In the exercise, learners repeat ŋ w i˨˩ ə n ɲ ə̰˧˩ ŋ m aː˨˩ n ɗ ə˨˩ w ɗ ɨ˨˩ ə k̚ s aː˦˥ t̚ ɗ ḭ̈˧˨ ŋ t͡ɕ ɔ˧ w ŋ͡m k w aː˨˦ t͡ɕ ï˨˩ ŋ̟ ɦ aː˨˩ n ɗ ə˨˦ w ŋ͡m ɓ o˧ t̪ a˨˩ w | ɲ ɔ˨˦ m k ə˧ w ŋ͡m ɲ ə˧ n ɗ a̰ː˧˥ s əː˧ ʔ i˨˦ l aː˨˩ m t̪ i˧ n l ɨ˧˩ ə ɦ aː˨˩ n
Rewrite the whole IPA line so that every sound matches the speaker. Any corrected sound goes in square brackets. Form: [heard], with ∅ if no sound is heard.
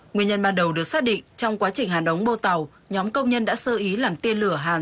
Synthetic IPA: ŋ w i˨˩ ə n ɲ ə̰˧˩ [n] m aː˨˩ n ɗ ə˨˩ w ɗ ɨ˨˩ ə k̚ s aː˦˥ t̚ ɗ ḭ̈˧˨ ŋ t͡ɕ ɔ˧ w ŋ͡m k w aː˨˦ t͡ɕ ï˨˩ ŋ̟ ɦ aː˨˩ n ɗ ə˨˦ w ŋ͡m ɓ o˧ t̪ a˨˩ w | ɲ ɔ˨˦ m k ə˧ w ŋ͡m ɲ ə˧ n ɗ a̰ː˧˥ s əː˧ ʔ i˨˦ l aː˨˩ m t̪ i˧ n l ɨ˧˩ ə ɦ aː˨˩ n